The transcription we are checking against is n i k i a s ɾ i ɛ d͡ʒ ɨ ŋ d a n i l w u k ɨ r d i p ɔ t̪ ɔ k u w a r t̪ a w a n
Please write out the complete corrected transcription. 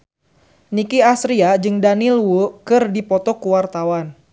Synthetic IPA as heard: n i k i a s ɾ i a d͡ʒ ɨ ŋ d a n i l w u k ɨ r d i p ɔ t̪ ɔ k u w a r t̪ a w a n